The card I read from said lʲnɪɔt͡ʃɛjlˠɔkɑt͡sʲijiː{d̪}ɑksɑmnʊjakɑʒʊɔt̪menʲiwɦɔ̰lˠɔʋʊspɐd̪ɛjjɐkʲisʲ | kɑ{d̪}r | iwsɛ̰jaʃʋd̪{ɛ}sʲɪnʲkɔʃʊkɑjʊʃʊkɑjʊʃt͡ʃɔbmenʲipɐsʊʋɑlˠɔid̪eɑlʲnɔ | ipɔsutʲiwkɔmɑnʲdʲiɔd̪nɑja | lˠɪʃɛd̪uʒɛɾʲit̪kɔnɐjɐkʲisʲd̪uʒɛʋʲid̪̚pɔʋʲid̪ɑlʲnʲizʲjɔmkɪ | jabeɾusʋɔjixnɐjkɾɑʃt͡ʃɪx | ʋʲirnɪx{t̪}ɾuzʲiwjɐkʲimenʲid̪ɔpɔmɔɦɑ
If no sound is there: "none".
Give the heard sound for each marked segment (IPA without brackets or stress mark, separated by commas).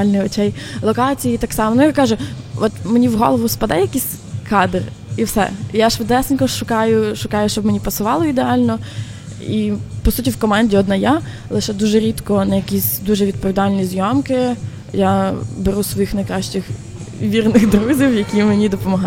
t̪, d̪, ɛ, d̪